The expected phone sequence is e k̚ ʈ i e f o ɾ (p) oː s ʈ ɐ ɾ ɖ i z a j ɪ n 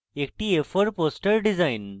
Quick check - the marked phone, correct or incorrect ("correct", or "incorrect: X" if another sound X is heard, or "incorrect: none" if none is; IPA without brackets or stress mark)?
correct